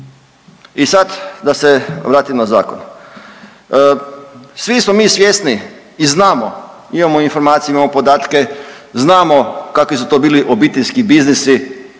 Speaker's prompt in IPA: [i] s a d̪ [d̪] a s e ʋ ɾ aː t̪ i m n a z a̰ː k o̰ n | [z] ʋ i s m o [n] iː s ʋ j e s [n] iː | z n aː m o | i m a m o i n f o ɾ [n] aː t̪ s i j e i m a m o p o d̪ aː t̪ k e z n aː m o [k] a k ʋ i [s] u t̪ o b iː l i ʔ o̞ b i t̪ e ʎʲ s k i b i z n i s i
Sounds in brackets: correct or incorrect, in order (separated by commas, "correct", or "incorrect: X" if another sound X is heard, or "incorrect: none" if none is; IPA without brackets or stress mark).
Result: correct, correct, incorrect: s, incorrect: m, correct, incorrect: m, correct, correct